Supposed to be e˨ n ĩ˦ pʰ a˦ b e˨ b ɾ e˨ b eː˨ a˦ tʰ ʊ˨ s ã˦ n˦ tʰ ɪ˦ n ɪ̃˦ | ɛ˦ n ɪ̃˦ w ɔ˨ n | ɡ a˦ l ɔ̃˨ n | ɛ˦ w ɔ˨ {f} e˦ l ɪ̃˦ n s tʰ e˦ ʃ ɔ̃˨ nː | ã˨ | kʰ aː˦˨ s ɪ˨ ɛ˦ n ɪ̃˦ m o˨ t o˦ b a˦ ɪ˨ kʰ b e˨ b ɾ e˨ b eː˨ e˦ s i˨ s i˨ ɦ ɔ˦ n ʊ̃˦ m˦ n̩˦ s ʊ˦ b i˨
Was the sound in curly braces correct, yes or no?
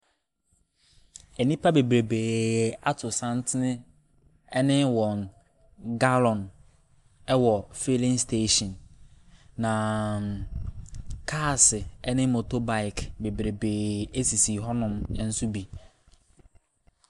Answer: yes